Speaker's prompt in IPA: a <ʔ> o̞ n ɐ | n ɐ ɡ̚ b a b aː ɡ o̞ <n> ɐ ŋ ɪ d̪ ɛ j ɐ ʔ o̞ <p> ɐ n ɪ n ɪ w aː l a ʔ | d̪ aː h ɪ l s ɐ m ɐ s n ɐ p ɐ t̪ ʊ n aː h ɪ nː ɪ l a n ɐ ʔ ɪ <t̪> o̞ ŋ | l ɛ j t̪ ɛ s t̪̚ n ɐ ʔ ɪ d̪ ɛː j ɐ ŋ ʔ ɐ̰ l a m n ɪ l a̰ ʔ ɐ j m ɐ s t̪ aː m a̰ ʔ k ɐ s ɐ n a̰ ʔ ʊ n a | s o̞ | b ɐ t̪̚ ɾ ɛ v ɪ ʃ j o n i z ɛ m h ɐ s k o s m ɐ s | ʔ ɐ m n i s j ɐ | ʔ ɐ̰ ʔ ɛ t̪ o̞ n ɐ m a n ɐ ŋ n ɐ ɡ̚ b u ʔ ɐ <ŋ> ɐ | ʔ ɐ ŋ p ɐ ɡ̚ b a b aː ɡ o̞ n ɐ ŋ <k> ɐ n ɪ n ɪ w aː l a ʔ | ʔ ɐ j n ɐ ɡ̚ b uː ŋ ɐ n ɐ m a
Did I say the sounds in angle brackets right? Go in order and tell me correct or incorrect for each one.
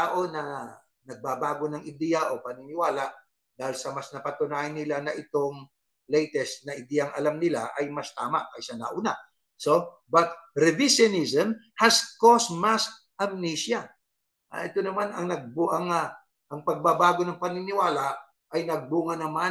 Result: correct, correct, correct, correct, correct, incorrect

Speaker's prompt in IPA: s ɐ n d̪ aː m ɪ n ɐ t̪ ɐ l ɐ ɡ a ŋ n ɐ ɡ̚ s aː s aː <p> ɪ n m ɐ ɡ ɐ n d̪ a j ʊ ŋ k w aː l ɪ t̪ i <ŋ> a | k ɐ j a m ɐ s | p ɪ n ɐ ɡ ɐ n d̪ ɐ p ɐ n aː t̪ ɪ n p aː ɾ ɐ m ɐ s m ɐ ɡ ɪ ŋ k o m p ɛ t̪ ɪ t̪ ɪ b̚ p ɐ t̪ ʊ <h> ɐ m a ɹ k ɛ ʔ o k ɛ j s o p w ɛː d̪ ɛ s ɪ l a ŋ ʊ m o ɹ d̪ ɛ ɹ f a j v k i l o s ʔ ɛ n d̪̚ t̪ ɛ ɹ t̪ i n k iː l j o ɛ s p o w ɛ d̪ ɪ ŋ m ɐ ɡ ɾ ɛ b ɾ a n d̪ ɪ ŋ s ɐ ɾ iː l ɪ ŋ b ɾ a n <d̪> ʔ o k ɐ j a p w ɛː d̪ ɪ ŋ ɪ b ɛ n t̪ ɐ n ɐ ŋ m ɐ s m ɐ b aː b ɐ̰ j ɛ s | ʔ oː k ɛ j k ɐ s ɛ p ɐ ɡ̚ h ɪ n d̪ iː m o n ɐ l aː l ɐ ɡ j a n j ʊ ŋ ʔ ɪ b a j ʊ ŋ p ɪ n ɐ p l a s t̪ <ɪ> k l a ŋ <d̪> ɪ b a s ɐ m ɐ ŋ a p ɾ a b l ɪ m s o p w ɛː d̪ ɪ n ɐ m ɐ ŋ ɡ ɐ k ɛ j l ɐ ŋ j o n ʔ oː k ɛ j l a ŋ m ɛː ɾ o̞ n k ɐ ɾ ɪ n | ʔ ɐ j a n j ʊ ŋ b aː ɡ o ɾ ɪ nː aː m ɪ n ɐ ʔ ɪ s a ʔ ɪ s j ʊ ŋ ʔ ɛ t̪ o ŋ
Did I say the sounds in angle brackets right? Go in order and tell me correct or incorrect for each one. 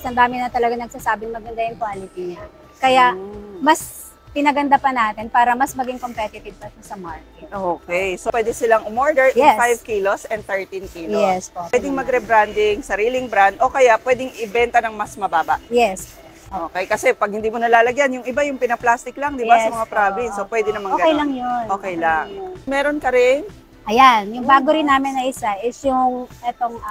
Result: incorrect, incorrect, incorrect, correct, correct, correct

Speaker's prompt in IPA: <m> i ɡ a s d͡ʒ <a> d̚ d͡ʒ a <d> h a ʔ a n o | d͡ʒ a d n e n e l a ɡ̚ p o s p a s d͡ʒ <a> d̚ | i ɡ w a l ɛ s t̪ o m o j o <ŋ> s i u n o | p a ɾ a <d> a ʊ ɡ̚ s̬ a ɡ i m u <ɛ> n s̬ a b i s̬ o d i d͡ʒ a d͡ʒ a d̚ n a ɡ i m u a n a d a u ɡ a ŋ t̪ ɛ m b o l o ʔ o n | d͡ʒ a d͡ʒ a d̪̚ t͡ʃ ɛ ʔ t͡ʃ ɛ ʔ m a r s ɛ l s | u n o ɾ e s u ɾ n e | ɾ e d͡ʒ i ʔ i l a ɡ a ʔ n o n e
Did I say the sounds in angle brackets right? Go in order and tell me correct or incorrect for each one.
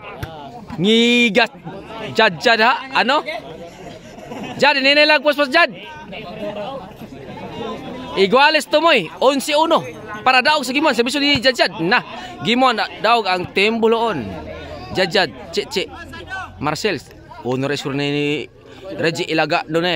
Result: incorrect, correct, correct, correct, incorrect, correct, incorrect

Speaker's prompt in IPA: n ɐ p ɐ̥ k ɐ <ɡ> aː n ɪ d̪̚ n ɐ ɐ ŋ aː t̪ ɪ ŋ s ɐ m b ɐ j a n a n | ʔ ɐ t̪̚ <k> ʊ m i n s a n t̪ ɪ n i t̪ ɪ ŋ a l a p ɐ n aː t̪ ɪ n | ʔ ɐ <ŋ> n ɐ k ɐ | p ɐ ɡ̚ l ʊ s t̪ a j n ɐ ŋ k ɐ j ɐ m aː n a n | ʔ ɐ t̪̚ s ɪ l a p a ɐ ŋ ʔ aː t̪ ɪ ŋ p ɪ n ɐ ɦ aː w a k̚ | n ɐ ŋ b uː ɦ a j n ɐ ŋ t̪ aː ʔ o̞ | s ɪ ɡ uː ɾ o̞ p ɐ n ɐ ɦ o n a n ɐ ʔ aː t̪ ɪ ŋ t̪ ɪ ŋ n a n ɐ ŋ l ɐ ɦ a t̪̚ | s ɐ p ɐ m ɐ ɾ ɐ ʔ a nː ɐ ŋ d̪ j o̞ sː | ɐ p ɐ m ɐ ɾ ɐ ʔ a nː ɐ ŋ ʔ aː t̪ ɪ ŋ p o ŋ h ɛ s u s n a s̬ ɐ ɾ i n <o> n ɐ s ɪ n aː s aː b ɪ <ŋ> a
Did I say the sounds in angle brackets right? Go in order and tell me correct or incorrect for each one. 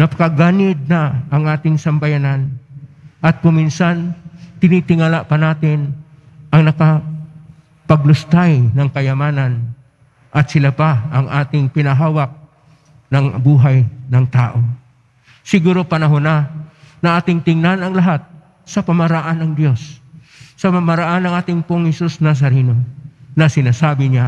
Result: correct, correct, correct, correct, incorrect

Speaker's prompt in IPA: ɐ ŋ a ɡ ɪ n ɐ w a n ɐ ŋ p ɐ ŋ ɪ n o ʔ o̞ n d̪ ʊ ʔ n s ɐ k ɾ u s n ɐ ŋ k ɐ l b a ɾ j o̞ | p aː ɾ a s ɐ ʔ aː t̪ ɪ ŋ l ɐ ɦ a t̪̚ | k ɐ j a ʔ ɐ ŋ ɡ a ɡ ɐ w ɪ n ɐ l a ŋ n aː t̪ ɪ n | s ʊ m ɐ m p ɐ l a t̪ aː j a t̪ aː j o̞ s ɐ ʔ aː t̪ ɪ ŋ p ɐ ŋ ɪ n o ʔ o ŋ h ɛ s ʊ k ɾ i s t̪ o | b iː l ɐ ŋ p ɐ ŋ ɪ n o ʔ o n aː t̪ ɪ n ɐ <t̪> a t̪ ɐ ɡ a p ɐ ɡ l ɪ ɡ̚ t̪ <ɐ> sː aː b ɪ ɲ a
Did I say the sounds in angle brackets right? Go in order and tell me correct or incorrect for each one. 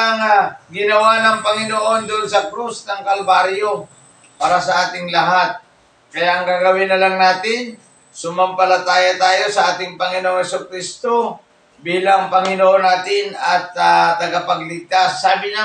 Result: correct, incorrect

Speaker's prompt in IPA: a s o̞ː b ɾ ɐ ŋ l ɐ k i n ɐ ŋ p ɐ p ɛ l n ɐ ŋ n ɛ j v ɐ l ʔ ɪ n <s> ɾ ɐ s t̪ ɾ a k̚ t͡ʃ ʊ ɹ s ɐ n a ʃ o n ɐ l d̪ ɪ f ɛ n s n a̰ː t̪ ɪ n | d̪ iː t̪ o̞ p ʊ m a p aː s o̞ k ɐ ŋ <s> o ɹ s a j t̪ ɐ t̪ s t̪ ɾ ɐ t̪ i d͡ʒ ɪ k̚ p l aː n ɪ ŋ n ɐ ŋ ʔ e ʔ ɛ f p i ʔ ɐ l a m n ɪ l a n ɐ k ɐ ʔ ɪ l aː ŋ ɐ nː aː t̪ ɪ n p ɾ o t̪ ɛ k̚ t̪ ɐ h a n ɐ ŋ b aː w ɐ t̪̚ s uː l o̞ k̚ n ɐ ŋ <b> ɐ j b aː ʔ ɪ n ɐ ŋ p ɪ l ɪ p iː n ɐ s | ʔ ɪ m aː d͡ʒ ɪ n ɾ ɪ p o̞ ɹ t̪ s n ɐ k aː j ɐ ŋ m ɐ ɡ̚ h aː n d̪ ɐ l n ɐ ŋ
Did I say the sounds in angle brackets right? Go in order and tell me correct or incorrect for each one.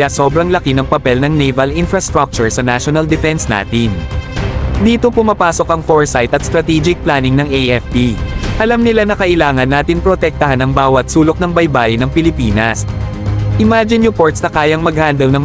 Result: incorrect, incorrect, correct

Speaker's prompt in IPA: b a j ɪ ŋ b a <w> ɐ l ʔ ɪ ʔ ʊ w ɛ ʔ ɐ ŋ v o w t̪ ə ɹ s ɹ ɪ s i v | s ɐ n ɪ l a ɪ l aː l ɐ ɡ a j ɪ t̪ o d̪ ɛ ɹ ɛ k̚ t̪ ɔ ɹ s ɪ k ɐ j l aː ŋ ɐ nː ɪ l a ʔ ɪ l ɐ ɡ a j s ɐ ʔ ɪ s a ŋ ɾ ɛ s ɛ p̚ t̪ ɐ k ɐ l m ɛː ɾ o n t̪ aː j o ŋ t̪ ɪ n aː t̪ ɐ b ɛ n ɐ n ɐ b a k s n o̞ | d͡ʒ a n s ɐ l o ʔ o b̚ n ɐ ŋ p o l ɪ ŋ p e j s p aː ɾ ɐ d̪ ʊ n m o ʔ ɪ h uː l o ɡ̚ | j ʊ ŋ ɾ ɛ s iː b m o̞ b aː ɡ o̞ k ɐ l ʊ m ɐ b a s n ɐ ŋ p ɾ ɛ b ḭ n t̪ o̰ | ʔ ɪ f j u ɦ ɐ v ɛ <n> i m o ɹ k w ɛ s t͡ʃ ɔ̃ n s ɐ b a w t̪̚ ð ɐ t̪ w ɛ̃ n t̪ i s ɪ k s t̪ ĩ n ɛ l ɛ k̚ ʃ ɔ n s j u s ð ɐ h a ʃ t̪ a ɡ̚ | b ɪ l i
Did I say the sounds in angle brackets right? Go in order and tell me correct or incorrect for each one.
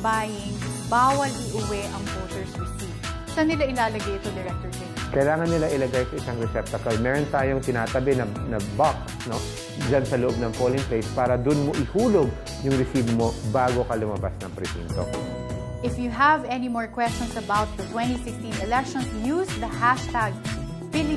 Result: correct, correct

